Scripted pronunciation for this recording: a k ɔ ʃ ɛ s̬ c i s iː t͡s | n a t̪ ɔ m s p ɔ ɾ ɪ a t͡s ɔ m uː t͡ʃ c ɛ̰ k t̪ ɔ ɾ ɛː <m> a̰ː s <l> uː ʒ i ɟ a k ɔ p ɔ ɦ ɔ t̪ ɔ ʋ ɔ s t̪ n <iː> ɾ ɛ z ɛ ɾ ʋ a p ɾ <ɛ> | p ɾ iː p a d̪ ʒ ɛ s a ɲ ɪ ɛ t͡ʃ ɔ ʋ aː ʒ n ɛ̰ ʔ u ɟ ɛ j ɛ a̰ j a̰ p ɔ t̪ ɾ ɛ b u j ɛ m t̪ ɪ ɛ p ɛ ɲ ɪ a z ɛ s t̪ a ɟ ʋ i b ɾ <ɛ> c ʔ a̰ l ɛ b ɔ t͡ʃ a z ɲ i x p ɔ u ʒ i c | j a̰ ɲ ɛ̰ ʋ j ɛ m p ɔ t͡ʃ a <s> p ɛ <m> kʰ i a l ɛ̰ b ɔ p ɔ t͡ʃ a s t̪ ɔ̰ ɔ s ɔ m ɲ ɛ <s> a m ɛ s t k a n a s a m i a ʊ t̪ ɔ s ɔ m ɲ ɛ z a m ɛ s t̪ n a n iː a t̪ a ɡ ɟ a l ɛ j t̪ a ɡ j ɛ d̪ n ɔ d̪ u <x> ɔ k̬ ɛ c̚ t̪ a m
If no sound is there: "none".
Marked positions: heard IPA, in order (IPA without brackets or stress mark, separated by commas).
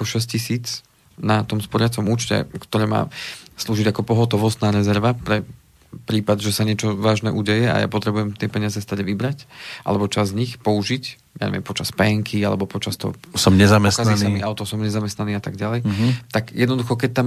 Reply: m, l, aː, ɛ, a, s, ŋ, z, x